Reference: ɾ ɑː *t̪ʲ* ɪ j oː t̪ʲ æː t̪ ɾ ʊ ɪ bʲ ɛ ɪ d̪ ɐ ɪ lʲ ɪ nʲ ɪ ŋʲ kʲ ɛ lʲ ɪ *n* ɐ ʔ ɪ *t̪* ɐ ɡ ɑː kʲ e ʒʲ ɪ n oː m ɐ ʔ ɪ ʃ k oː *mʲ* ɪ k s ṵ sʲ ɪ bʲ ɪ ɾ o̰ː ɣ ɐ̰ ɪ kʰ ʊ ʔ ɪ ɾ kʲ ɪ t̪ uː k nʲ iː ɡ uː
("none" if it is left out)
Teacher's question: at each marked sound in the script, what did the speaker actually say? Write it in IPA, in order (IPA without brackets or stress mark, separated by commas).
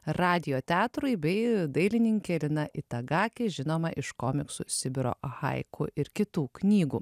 d̪ʲ, n, t̪, mʲ